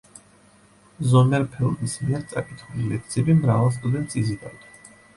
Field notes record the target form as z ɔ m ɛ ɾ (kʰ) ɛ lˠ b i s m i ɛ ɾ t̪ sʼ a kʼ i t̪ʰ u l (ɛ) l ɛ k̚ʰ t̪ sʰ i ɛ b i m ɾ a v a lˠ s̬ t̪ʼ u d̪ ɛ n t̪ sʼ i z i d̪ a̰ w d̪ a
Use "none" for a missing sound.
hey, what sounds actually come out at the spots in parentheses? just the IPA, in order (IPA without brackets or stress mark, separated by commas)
pʰ, i